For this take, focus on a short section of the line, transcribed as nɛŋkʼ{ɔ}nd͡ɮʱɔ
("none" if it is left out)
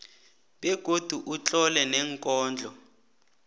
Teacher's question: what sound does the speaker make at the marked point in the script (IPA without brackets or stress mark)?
ɔː